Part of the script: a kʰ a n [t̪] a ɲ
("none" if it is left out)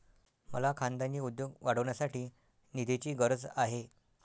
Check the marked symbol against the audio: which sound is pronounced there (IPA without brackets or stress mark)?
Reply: d̪